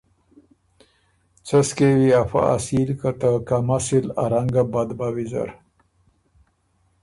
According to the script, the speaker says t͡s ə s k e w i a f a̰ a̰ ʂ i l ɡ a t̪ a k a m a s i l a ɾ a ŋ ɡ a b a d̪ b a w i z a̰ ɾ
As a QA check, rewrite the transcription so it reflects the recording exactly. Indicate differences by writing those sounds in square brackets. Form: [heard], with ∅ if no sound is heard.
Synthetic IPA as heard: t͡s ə s k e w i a f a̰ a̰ [s] i l [k] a t̪ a k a m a s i l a ɾ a ŋ ɡ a b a d̪ b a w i z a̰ ɾ